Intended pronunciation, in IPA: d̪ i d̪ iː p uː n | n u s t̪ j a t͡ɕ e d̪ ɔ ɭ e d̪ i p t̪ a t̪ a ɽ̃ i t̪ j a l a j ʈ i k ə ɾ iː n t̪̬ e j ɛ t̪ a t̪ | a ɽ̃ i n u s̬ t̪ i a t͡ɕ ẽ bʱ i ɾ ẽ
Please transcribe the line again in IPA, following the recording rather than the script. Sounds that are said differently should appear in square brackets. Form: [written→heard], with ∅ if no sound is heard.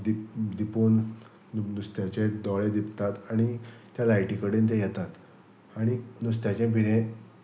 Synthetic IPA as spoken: d̪ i d̪ [iː→i] p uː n | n u s t̪ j a t͡ɕ e d̪ ɔ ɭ e d̪ i p t̪ a t̪ a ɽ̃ i t̪ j a l a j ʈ i k ə [ɾ→ɽ] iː n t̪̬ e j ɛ t̪ a t̪ | a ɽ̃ i n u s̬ t̪ [i→j] a t͡ɕ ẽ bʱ i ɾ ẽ